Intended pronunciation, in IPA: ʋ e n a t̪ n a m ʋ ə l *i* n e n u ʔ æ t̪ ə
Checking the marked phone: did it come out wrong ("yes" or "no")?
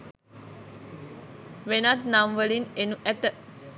no